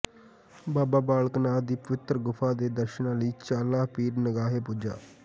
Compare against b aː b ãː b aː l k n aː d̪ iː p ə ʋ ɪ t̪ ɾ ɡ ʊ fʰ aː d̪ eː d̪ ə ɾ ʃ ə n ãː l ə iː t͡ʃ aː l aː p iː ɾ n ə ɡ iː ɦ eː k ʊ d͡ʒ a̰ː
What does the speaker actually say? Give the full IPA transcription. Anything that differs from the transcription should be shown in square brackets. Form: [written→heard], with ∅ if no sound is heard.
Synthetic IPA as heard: b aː b [ãː→aː] b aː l k n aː d̪ iː p ə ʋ ɪ t̪ ɾ ɡ ʊ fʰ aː d̪ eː d̪ ə ɾ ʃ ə n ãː l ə iː t͡ʃ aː l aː p iː ɾ n ə ɡ [iː→aː] ɦ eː [k→p] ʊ d͡ʒ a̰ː